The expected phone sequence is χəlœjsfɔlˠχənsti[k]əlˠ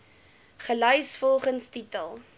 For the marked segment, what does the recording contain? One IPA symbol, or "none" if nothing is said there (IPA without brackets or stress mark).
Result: t